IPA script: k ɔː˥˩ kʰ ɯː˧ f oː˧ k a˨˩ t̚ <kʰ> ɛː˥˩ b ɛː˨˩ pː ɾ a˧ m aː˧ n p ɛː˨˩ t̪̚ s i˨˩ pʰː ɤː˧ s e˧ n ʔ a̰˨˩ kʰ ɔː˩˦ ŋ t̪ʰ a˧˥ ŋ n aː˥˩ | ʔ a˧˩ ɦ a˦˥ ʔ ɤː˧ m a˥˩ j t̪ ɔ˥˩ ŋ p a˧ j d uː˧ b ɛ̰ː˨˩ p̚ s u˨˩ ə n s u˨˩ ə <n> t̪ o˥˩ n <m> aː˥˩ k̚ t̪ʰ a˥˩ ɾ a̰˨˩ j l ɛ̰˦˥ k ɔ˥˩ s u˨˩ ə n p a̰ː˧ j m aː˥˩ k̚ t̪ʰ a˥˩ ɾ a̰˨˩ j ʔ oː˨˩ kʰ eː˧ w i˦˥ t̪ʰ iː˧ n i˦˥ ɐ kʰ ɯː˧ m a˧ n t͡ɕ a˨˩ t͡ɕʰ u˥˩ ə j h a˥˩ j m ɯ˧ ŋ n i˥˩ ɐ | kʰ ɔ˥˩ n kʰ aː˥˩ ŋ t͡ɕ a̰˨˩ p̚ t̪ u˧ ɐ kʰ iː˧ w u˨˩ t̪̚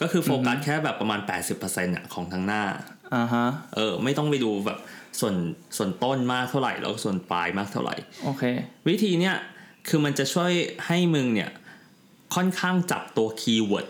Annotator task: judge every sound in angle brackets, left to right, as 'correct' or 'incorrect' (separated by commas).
correct, correct, correct